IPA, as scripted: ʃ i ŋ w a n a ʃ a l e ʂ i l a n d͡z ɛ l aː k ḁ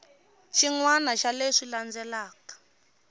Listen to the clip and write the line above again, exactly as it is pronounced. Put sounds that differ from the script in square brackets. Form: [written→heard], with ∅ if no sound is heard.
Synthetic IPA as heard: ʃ i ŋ w a n a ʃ a l e ʂ i l a n d͡z ɛ l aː k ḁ